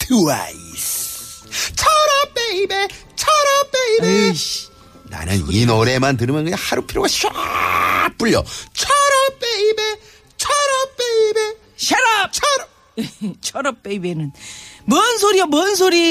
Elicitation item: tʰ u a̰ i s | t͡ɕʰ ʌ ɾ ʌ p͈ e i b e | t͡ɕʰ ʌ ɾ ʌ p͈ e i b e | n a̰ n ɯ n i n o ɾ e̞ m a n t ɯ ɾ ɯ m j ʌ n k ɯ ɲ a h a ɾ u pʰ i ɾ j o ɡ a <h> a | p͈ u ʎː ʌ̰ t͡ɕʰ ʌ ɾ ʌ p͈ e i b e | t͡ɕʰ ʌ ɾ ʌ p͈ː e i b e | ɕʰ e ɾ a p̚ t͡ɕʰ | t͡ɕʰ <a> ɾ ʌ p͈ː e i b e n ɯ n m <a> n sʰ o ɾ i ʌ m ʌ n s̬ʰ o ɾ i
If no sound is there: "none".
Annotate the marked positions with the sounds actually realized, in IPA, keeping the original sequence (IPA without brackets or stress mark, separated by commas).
ɕ, ʌ, ʌ